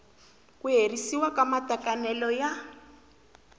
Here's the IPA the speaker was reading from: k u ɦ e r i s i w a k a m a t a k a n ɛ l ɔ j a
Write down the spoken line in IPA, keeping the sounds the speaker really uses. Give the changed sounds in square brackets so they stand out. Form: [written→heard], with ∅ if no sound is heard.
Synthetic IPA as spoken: k u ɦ e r i s i w a k a m a t a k a n ɛ l ɔ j a